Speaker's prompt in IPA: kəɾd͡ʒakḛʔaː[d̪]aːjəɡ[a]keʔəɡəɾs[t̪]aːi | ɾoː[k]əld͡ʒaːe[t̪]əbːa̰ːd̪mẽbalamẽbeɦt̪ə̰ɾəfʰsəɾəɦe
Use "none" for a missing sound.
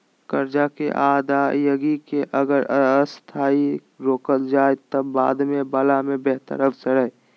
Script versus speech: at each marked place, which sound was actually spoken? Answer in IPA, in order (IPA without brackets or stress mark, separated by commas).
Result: d̪, i, t̪ʰ, k, t̪